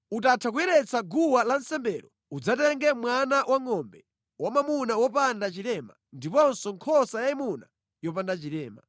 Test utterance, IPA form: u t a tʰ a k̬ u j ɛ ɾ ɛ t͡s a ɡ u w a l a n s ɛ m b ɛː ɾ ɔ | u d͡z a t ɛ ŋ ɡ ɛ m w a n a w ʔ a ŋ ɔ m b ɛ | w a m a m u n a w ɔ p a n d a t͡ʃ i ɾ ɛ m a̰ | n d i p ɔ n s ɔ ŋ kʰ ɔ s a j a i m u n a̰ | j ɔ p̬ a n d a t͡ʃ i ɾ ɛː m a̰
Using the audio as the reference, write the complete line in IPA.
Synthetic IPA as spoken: u t a tʰ a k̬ u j ɛ ɾ ɛ t͡s a ɡ u w a l a n s ɛ m b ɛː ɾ ɔ | u d͡z a t ɛ ŋ ɡ ɛ m w a n a w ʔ a ŋ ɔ m b ɛ | w a m a m u n a w ɔ p a n d a t͡ʃ i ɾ ɛ m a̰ | n d i p ɔ n s ɔ ŋ kʰ ɔ s a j a i m u n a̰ | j ɔ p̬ a n d a t͡ʃ i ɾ ɛː m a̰